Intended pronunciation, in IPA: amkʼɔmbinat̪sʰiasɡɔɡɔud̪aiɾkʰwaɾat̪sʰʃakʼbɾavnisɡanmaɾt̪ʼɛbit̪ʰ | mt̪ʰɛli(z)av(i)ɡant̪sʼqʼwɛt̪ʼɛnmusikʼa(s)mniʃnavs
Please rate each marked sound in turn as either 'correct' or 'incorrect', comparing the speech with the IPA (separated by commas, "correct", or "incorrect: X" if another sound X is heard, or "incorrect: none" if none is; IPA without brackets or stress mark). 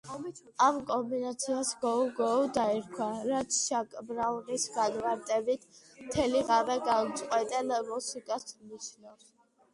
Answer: incorrect: ʁ, incorrect: ɛ, correct